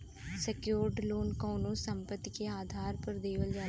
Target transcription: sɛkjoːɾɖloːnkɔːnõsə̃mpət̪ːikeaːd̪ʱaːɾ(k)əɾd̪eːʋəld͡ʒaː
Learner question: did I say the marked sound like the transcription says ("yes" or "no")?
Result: no